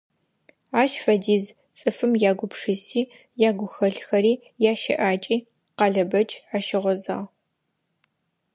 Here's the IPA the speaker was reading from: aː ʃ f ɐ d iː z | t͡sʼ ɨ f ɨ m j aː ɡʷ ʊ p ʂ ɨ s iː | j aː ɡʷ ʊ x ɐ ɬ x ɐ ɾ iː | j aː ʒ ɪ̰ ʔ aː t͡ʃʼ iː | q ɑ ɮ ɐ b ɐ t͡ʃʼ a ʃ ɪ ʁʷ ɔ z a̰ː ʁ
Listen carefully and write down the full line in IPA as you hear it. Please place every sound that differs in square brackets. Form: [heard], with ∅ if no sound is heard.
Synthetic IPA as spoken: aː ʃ f ɐ d iː z | t͡sʼ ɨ f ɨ m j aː ɡʷ ʊ p ʂ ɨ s iː | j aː ɡʷ ʊ x ɐ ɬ x ɐ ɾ iː | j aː [ʃ] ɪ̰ ʔ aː t͡ʃʼ iː | q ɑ ɮ ɐ b ɐ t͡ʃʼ a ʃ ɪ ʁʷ ɔ z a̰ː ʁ